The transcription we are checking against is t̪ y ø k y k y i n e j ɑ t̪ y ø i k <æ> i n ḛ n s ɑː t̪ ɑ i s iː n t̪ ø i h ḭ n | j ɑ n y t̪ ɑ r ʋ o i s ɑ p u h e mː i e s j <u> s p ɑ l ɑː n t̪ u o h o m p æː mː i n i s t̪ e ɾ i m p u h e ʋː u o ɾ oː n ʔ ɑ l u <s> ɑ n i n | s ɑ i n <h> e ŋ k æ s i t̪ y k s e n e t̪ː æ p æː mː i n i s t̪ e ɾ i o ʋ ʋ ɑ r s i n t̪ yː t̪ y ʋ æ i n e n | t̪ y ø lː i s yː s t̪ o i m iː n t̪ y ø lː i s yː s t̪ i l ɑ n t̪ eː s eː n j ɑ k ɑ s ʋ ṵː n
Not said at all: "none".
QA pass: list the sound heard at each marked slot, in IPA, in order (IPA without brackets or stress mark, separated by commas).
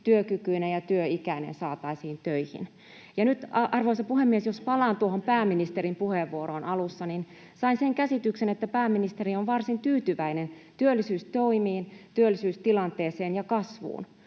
æ, o, sː, s